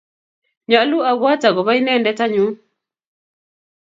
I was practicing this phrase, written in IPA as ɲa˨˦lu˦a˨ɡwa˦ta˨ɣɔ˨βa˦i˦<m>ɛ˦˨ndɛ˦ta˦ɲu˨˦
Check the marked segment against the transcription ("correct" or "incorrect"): incorrect